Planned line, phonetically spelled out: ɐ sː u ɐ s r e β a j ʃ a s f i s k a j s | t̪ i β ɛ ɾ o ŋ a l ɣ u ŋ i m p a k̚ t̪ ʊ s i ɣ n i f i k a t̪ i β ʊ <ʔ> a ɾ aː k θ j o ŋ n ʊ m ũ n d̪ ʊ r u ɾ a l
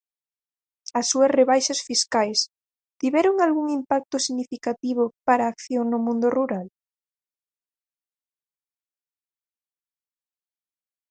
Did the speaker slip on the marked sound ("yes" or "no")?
yes